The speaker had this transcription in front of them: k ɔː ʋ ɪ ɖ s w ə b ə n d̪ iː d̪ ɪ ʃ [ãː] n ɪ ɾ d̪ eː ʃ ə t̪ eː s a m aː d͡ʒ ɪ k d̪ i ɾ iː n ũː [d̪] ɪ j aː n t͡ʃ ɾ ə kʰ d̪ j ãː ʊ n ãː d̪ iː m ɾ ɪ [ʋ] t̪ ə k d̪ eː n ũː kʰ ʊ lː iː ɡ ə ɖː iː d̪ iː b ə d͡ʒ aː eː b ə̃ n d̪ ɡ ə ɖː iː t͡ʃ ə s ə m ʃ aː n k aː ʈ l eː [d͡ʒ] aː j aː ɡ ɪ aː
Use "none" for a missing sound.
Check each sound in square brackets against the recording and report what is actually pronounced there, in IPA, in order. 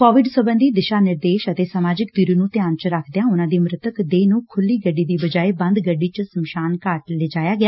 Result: aː, t̪, none, d͡ʒ

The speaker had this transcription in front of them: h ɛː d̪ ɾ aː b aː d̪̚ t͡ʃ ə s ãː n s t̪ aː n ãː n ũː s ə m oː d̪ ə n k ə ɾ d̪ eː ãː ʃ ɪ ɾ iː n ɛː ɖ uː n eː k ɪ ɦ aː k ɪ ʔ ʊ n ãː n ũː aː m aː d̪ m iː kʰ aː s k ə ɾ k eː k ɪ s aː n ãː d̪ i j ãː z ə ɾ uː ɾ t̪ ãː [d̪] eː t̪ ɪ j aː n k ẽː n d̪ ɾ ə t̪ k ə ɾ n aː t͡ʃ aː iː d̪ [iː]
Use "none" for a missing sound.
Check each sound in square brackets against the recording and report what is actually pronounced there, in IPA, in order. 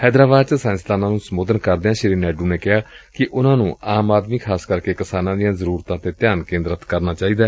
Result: t̪, aː

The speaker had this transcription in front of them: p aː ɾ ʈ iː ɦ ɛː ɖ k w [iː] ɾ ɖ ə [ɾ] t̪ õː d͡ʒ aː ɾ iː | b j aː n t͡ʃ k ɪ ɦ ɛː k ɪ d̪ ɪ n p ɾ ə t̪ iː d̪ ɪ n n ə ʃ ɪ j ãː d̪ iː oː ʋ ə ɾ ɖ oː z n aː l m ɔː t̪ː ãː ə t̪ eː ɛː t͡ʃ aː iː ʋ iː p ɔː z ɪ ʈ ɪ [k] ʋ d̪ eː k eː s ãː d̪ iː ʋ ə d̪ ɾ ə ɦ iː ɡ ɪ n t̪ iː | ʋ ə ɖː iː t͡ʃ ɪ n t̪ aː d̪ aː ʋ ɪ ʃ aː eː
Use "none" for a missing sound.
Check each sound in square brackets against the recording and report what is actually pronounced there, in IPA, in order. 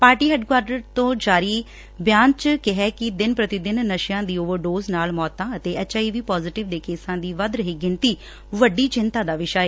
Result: aː, ɾ, none

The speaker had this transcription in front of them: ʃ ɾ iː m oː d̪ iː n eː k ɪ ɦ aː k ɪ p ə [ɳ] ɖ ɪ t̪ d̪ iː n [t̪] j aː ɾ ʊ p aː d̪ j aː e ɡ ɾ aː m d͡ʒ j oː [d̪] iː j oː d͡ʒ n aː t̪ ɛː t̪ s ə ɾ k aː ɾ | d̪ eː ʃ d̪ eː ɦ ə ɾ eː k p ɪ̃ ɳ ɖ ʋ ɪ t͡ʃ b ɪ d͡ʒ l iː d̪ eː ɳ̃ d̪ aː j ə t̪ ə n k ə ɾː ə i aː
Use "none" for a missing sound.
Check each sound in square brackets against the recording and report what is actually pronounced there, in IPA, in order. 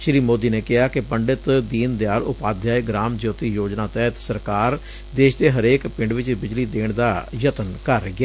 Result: ɳ, d̪, t̪

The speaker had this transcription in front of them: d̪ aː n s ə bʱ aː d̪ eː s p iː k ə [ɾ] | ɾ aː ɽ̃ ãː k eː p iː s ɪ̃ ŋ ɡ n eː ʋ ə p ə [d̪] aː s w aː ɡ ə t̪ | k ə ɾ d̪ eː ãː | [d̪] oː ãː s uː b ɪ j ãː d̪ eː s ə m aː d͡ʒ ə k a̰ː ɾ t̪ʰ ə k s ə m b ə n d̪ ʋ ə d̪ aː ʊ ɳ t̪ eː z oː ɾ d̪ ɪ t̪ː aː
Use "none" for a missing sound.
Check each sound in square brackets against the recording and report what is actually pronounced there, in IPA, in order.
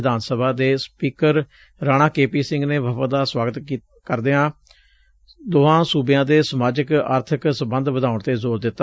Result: ɾ, d̪, d̪

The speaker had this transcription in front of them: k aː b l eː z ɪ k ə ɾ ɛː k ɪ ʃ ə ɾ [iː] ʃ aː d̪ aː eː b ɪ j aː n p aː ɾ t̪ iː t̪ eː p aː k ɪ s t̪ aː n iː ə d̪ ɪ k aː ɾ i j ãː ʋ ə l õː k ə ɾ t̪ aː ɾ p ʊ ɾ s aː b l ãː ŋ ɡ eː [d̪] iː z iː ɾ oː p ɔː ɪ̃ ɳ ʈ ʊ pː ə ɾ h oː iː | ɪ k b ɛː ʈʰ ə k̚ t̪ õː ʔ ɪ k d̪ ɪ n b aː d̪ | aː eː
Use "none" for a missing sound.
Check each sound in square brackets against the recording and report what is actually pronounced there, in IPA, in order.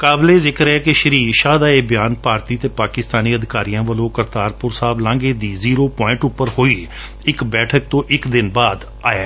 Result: iː, d̪

